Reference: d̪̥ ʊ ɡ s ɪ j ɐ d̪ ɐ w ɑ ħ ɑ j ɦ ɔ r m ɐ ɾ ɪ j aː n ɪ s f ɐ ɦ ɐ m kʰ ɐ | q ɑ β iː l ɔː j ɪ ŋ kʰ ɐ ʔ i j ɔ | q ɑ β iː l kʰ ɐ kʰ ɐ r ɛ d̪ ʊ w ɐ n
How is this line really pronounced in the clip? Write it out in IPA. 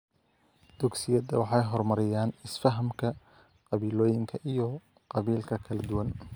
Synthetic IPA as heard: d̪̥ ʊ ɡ s ɪ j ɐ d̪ ɐ w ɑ ħ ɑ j ɦ ɔ r m ɐ ɾ ɪ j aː n ɪ s f ɐ ɦ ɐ m kʰ ɐ | q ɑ β iː l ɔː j ɪ ŋ kʰ ɐ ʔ i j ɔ | q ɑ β iː l kʰ ɐ kʰ ɐ l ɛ d̪ ʊ w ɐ n